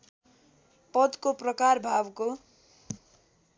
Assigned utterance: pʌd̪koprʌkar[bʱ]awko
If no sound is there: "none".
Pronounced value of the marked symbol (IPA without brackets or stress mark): bʱ